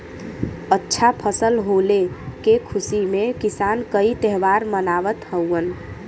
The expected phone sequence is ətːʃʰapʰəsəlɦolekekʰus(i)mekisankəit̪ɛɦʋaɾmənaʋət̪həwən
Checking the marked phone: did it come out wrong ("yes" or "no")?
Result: no